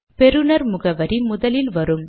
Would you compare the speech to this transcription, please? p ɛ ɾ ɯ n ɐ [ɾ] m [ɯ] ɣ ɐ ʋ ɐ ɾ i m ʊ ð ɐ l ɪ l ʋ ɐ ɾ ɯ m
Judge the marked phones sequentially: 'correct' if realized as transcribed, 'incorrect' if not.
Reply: correct, incorrect: ʊ

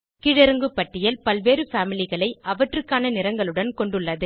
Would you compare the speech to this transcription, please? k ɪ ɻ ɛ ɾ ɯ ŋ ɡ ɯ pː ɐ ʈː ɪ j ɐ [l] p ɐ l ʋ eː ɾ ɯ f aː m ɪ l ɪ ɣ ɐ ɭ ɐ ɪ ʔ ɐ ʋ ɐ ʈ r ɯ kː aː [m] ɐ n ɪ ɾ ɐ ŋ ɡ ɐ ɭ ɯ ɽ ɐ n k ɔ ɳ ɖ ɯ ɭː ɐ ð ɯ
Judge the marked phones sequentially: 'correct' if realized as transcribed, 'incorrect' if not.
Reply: correct, incorrect: n

